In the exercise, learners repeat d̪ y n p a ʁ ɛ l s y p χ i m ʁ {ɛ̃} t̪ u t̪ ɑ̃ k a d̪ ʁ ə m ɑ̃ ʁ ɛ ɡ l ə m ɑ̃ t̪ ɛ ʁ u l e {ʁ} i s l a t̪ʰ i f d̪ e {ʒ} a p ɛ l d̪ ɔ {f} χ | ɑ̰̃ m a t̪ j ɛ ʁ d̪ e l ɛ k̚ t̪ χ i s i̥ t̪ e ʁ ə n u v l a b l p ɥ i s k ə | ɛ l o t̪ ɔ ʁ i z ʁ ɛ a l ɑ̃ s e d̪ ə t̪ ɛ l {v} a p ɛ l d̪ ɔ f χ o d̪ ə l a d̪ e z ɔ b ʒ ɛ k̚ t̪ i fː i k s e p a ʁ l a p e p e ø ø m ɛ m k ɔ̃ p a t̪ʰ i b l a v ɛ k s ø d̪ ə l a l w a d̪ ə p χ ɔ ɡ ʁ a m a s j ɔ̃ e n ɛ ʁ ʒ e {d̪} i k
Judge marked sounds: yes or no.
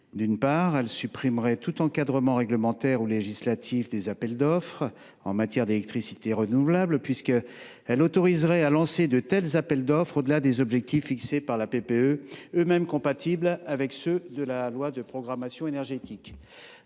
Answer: no, no, no, yes, no, no

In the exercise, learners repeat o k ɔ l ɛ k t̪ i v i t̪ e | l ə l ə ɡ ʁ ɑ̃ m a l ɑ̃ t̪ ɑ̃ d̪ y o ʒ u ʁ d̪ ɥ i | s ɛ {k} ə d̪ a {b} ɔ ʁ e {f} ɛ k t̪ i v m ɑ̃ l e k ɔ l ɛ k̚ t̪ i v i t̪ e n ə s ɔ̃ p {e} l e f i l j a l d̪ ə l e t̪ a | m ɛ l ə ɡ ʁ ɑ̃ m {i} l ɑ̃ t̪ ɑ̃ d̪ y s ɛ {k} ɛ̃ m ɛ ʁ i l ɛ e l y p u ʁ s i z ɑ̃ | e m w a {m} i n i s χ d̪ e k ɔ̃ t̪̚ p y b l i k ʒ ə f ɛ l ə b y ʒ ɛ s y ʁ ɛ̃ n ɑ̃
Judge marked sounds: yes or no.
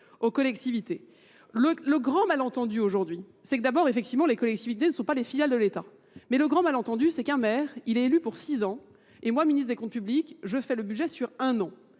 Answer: yes, yes, yes, no, no, yes, yes

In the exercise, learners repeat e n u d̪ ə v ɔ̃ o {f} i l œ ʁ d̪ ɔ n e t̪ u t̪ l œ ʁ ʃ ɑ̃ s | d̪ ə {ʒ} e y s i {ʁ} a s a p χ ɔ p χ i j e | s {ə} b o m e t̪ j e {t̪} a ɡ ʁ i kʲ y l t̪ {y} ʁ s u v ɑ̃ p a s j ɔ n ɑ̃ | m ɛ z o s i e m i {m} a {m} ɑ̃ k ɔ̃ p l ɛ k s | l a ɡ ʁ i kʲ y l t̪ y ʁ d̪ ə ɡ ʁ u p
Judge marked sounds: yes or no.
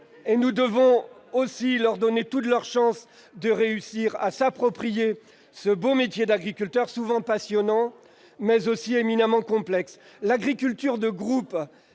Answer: no, no, yes, yes, no, no, no, yes

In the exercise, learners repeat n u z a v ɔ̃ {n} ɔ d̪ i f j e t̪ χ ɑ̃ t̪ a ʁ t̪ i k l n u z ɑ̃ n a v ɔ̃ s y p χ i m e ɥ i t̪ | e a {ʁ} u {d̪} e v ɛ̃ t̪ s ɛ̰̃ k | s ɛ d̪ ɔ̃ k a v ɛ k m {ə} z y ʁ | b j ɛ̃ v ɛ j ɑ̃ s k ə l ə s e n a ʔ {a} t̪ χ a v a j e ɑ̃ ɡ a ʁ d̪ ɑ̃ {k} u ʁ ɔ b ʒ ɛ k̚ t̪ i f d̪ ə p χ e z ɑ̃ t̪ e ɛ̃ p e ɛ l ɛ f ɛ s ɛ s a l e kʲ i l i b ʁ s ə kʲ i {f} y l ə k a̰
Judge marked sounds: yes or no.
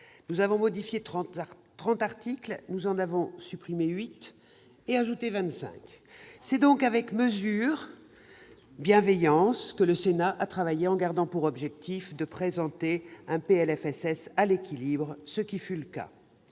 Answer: no, no, no, yes, yes, no, yes

